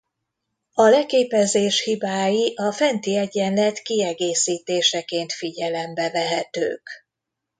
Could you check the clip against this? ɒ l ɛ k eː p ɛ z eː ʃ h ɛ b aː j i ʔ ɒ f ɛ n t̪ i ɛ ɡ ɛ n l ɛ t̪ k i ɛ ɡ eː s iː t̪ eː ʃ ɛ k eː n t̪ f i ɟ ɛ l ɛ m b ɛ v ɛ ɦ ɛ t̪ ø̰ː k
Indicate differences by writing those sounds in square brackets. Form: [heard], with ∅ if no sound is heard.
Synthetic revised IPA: ɒ l ɛ k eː p ɛ z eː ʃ h [i] b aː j i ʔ ɒ f ɛ n t̪ i ɛ [ɟ] ɛ n l ɛ t̪ k i ɛ ɡ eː s iː t̪ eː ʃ ɛ k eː n t̪ f i ɟ ɛ l ɛ m b ɛ v ɛ ɦ ɛ t̪ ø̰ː k